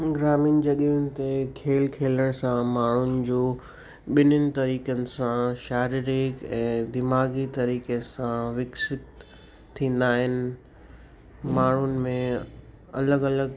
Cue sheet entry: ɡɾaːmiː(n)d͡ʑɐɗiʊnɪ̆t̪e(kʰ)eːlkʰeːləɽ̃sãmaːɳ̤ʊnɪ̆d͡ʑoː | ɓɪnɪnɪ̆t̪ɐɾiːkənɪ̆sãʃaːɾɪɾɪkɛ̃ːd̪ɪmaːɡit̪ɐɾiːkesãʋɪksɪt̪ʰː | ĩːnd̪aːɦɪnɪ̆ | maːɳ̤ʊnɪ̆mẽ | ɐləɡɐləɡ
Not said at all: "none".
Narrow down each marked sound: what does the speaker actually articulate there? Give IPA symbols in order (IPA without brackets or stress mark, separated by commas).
n, kʰ